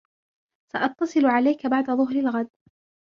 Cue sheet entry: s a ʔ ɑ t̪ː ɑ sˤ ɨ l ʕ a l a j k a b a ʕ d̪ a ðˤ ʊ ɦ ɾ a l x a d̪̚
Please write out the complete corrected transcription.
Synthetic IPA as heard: s a ʔ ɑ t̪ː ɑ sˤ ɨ l ʕ a l a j k a b a ʕ d̪ a ðˤ ʊ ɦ ɾ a l ɣ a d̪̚